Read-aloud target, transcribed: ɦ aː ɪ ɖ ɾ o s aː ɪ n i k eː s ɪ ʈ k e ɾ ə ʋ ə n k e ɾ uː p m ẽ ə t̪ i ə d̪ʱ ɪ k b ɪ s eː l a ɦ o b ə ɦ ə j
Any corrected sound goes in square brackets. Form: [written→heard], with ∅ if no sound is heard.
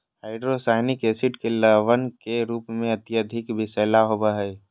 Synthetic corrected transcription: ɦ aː ɪ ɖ ɾ o s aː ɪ n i k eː s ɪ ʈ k e [ɾ→l] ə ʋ ə n k e ɾ uː p m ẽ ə t̪ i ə d̪ʱ ɪ k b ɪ s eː l a ɦ o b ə ɦ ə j